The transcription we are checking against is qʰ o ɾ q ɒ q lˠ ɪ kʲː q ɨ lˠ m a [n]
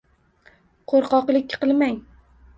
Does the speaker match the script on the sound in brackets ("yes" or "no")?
no